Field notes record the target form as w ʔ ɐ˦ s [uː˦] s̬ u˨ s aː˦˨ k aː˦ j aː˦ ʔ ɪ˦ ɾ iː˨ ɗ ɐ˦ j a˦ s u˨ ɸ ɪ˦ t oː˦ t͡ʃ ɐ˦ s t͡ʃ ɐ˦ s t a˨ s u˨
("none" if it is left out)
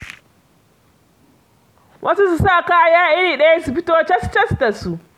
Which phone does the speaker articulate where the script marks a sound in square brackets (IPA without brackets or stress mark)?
u˦